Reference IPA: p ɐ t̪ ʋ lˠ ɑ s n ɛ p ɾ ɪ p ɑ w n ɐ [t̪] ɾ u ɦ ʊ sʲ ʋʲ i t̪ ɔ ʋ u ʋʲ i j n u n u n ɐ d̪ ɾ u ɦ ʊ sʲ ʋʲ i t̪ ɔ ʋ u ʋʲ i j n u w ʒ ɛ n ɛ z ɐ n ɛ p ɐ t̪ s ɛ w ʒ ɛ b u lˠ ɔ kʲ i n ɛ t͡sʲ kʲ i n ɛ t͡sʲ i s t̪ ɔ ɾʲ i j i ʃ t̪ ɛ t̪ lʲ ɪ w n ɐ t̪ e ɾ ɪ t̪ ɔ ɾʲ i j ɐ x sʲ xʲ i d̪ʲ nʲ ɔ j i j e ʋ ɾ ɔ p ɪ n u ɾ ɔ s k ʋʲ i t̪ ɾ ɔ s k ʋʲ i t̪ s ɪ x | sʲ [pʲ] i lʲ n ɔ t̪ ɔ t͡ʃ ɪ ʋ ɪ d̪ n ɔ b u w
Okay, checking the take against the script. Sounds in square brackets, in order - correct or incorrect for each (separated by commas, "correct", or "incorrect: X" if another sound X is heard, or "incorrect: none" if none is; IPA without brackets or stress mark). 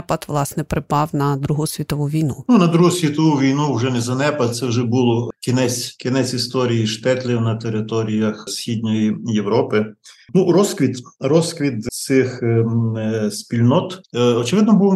incorrect: d̪, correct